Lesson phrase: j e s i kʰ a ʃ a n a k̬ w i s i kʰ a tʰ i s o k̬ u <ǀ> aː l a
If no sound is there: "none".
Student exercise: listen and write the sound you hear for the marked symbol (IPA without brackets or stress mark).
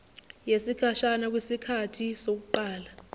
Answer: ǃ